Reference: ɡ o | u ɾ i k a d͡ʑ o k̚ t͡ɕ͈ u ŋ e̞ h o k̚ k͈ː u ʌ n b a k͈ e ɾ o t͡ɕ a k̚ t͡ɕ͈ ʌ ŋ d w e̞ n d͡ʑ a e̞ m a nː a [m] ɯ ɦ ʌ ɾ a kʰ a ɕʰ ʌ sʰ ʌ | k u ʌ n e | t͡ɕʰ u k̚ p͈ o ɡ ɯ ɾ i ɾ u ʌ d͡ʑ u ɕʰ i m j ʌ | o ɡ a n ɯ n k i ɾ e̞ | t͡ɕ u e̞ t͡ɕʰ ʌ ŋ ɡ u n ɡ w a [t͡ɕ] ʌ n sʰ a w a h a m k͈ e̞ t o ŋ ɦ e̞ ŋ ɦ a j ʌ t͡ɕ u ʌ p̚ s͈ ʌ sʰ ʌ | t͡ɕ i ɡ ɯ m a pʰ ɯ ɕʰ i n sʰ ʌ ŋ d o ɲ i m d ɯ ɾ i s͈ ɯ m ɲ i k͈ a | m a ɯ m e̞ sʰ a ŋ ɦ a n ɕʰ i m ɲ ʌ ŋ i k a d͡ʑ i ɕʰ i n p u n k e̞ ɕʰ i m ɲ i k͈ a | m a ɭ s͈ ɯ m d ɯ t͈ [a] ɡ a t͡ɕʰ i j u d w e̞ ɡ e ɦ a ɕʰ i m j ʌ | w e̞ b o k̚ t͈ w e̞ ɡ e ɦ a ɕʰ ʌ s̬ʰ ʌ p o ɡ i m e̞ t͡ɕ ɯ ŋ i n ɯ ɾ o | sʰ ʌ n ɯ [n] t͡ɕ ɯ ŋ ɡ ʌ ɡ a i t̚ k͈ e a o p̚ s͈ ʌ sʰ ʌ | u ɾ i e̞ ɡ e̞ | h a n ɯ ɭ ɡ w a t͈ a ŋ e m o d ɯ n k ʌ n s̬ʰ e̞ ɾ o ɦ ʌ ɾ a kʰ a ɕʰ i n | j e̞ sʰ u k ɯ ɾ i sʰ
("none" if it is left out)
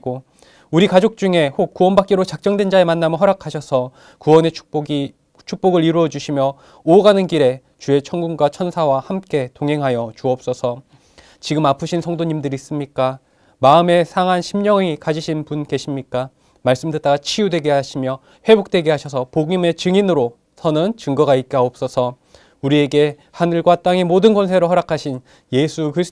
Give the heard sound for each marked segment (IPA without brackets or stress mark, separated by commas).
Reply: m, t͡ɕʰ, a, n